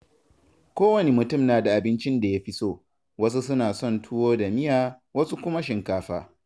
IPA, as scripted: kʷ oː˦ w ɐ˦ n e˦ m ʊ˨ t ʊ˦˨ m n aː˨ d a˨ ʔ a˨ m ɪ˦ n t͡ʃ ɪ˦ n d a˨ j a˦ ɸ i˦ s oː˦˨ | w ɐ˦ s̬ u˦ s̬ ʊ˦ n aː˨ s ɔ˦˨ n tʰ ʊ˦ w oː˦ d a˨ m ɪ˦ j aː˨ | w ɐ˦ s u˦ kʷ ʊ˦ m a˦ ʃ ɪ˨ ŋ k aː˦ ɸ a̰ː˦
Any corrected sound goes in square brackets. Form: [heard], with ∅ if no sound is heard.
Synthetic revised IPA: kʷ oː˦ w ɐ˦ n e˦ m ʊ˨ t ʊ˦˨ m n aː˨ d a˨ ʔ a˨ [b] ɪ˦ n t͡ʃ ɪ˦ n d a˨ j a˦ ɸ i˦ s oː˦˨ | w ɐ˦ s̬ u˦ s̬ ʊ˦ n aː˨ s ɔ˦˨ n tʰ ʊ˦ w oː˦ d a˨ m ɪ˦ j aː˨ | w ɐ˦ s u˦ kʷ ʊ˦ m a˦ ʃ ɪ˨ ŋ k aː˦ ɸ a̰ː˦